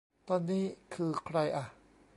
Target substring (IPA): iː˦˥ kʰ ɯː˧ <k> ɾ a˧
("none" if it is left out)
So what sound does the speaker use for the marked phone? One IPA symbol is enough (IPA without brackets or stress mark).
kʰ